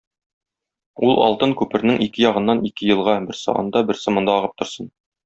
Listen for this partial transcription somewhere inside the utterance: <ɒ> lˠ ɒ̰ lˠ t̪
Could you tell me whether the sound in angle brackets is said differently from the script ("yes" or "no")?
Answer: yes